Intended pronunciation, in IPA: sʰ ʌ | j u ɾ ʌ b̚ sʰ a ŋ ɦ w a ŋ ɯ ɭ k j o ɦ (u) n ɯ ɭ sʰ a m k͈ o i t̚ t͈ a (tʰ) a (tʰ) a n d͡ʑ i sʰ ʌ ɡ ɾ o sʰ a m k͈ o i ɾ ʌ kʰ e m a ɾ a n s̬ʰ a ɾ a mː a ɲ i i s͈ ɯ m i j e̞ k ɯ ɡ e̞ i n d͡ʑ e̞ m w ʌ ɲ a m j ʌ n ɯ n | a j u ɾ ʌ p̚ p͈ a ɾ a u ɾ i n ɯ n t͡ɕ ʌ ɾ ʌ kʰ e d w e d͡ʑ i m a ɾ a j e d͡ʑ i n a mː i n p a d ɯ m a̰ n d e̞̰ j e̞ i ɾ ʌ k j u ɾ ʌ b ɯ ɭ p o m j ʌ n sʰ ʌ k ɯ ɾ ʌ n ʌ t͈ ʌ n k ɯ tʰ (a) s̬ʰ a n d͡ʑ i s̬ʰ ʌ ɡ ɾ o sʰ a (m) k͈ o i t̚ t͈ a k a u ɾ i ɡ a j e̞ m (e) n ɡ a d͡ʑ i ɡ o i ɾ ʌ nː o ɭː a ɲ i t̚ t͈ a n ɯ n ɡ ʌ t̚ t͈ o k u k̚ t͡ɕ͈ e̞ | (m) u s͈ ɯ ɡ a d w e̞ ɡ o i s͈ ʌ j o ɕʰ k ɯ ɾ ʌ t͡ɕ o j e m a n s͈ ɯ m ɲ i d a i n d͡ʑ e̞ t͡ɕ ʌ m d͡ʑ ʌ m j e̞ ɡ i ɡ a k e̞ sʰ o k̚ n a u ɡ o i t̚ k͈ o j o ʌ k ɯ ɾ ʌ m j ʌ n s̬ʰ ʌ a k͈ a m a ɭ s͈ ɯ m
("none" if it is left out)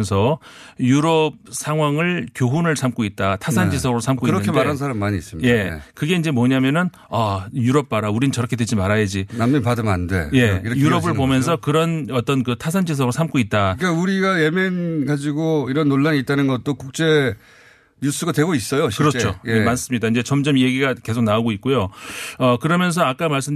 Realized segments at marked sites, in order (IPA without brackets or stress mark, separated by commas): u, tʰ, sʰ, a, m, e, ɲ